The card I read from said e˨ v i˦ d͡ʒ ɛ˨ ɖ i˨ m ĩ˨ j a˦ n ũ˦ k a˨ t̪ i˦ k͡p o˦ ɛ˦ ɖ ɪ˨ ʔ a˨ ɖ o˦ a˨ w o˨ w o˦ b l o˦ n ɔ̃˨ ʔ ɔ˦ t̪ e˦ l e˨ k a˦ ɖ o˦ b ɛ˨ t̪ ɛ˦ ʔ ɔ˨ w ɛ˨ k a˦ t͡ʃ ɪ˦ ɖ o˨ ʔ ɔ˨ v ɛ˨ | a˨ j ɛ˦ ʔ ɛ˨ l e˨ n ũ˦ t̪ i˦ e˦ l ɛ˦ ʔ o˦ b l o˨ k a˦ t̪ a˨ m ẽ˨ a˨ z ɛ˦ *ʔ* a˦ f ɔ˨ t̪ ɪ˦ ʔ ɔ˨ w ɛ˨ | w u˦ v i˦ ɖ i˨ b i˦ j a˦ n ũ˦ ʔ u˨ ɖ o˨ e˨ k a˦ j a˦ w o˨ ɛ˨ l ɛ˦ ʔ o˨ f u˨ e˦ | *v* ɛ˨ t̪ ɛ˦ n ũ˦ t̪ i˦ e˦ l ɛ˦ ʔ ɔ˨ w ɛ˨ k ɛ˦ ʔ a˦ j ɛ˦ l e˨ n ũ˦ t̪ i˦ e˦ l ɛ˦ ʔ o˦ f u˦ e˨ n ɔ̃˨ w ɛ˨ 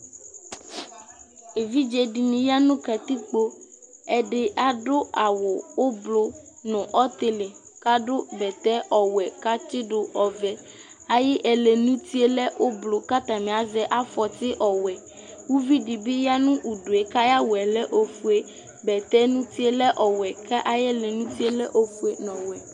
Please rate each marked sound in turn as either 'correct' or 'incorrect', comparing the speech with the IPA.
correct, incorrect: b

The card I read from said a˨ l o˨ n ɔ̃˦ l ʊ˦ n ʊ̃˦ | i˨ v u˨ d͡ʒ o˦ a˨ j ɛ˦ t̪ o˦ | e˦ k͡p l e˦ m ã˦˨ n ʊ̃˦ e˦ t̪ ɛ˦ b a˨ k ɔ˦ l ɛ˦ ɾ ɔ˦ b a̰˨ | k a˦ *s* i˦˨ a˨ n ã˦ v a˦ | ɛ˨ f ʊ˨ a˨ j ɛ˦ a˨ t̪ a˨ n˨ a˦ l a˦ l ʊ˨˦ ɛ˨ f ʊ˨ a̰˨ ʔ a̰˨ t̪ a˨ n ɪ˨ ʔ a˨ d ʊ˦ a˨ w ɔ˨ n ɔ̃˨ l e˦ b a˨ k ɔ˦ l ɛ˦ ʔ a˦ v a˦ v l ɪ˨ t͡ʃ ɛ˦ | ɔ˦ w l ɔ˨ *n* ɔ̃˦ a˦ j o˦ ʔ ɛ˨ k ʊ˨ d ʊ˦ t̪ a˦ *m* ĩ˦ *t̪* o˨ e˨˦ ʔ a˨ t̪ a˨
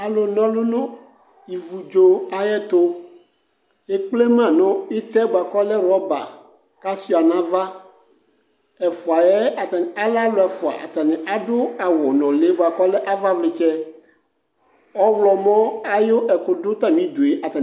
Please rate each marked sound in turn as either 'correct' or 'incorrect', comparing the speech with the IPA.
correct, incorrect: m, correct, incorrect: d̪

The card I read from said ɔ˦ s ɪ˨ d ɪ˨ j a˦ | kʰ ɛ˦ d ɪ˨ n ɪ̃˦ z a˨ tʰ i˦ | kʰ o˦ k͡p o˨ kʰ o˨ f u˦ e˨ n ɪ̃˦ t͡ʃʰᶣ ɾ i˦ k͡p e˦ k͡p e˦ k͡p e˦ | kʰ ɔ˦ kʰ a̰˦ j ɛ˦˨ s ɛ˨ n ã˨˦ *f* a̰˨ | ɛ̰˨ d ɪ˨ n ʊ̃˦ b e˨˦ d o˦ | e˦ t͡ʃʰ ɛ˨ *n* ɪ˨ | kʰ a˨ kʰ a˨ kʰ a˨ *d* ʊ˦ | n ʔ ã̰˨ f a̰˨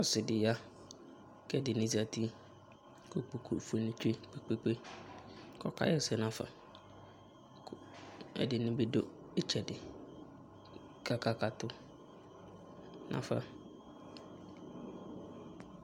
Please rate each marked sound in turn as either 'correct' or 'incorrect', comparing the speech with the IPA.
correct, incorrect: d, incorrect: t

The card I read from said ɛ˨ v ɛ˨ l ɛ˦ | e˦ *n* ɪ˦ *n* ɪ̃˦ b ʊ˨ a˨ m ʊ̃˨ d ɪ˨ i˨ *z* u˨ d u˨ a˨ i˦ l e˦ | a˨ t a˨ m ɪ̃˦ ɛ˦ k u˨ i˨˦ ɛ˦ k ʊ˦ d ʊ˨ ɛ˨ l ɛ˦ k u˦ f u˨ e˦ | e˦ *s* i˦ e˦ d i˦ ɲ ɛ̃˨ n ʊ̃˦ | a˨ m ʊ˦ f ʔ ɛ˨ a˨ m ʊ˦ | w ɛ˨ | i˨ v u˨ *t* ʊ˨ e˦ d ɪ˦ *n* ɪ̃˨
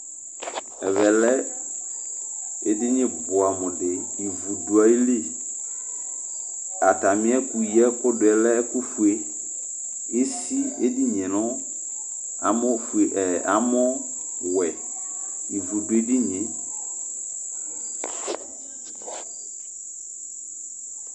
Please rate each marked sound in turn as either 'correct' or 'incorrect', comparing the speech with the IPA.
incorrect: d, incorrect: ɲ, incorrect: v, correct, incorrect: d, incorrect: ɲ

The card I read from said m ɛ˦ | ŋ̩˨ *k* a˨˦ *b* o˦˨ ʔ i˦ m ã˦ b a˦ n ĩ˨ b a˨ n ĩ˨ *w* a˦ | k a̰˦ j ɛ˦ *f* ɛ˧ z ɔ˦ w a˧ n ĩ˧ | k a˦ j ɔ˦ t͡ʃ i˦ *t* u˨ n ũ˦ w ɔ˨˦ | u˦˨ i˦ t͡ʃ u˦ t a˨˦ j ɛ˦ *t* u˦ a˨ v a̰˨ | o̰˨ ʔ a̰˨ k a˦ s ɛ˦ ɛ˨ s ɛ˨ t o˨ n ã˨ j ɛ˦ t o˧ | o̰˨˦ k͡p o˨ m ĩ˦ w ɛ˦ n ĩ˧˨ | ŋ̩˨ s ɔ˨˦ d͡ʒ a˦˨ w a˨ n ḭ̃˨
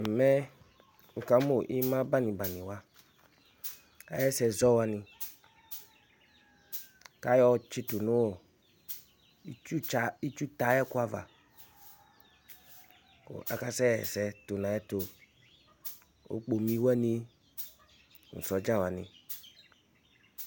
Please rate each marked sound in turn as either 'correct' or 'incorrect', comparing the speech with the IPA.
correct, incorrect: m, correct, incorrect: s, correct, incorrect: k

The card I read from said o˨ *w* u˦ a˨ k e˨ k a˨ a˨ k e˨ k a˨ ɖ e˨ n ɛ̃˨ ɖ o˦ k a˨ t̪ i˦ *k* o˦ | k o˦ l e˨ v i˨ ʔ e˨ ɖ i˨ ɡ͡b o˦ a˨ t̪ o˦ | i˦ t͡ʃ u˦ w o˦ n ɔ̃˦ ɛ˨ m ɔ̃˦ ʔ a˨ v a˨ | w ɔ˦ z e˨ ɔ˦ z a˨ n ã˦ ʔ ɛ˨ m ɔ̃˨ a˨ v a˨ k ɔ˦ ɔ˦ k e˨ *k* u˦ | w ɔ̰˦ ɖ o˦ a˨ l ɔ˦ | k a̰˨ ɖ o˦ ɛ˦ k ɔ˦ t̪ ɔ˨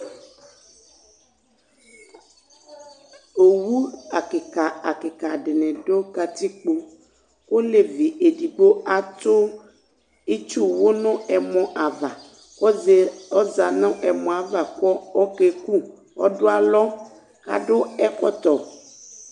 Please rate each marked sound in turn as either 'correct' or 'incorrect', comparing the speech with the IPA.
correct, incorrect: k͡p, correct

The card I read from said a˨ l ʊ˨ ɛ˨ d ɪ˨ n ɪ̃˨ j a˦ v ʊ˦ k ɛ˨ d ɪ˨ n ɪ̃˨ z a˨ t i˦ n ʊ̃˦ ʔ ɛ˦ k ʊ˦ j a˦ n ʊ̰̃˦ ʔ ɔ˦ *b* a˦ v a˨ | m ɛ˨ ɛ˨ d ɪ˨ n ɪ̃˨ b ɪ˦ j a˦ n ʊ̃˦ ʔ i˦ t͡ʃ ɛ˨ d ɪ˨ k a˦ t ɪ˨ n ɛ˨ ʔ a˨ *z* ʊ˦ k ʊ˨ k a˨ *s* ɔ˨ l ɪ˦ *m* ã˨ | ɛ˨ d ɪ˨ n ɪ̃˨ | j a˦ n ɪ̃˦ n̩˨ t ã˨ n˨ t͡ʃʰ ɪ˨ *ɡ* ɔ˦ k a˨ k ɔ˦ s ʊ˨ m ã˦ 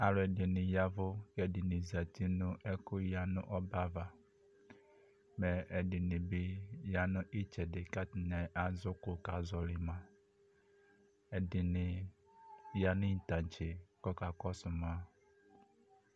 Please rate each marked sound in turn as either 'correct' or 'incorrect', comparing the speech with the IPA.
correct, correct, incorrect: z, correct, incorrect: k

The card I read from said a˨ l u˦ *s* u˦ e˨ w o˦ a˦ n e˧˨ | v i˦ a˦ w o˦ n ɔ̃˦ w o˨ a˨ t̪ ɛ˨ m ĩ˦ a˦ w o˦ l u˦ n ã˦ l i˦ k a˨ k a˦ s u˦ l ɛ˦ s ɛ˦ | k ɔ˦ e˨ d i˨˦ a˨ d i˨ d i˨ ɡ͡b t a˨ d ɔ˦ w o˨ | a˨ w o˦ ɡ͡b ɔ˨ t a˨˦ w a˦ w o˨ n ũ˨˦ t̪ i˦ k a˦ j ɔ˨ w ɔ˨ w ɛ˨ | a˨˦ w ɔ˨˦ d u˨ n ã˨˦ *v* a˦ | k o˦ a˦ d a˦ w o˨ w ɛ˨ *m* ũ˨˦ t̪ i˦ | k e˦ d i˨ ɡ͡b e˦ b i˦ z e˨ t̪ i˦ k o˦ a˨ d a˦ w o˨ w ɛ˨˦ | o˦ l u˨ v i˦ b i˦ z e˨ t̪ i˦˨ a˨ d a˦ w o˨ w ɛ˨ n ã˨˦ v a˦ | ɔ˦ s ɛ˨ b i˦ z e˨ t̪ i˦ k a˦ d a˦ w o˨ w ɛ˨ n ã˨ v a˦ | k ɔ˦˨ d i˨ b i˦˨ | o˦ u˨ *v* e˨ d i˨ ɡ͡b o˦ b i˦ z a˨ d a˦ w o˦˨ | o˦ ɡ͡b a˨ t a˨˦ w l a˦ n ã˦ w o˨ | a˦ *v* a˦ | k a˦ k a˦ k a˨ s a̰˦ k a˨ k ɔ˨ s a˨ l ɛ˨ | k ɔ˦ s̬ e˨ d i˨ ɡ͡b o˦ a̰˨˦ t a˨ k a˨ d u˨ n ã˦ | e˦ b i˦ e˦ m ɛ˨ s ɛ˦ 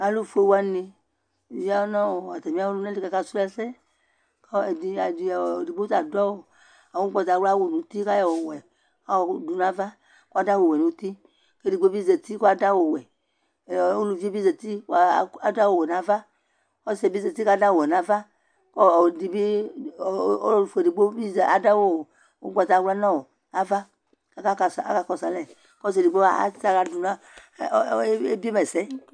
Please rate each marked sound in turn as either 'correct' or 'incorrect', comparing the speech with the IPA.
incorrect: f, correct, incorrect: n, incorrect: f, correct

